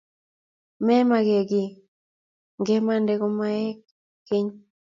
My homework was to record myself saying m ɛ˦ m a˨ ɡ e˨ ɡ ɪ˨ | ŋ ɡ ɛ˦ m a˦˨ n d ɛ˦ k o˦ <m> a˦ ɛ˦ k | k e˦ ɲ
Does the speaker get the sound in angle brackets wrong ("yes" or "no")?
no